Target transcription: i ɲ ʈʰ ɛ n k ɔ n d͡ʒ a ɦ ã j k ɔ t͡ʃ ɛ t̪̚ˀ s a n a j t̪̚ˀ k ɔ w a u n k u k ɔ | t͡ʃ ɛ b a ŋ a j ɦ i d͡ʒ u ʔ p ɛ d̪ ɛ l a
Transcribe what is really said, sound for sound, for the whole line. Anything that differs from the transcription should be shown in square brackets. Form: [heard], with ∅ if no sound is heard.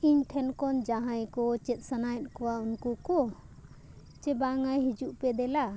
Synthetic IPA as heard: i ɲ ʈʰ ɛ n k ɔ n d͡ʒ a ɦ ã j k ɔ t͡ʃ ɛ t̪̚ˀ s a n a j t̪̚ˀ k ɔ w a u n k u k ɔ | t͡ʃ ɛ b a ŋ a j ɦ i d͡ʒ u ʔ p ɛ d̪ ɛ l a